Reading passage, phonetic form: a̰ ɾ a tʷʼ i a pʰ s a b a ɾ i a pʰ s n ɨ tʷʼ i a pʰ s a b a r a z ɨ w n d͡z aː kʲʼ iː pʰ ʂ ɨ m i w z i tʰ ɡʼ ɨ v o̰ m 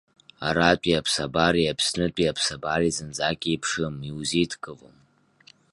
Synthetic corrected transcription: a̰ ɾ a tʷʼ i a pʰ s a b a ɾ i a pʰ s n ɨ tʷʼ i a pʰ s a b a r i z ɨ n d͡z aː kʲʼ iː pʰ ʂ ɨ m i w z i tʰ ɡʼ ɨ v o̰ m